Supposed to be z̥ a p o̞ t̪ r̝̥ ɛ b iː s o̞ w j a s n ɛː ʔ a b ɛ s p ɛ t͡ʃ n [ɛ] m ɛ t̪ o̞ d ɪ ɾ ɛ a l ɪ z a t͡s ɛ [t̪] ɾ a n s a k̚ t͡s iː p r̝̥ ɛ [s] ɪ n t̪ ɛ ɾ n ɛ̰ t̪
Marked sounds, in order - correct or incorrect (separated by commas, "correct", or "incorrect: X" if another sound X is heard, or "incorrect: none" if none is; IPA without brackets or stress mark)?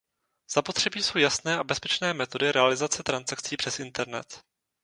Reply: incorrect: ɛː, correct, correct